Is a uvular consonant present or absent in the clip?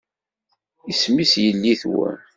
absent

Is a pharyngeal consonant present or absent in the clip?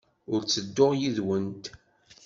absent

